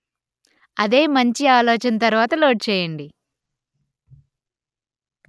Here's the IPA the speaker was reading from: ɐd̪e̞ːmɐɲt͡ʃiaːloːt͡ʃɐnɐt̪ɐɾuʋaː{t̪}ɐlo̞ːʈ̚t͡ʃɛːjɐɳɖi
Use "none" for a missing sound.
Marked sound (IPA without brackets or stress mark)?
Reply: t̪